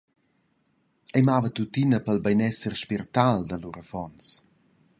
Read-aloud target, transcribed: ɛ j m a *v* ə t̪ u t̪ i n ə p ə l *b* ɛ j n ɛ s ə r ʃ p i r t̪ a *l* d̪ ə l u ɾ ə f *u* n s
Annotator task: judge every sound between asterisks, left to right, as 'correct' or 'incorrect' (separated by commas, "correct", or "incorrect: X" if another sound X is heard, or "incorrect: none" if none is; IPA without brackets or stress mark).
correct, correct, correct, incorrect: ɔ